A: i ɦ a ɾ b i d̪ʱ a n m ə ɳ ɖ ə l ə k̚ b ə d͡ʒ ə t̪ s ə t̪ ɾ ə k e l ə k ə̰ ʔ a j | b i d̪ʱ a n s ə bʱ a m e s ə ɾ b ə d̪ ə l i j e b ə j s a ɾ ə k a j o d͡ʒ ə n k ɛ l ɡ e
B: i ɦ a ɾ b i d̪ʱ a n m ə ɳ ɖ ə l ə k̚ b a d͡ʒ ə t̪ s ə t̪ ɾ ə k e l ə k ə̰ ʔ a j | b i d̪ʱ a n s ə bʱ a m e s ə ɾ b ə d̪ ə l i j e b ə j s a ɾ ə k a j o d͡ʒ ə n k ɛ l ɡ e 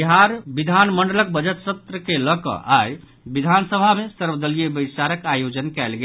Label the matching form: A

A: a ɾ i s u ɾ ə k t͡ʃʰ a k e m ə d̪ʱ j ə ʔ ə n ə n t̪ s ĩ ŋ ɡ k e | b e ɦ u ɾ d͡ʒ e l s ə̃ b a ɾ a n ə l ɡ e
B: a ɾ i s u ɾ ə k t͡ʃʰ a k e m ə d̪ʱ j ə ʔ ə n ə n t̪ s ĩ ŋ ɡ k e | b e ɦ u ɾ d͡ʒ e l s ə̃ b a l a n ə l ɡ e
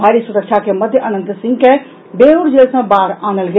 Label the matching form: A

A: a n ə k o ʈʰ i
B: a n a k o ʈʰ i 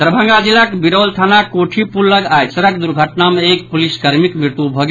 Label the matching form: B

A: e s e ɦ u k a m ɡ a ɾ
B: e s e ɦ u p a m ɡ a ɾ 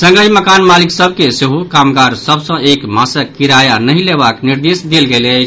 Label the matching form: A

